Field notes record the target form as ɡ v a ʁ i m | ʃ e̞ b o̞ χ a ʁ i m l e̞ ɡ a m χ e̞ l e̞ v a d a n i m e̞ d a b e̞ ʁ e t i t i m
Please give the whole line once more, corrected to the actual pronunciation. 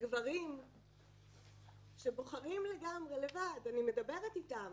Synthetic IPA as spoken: ɡ v a ʁ i m | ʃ e̞ b o̞ χ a ʁ i m l e̞ ɡ a m ʁ e̞ l e̞ v a d a n i m e̞ d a b e̞ ʁ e t i t a m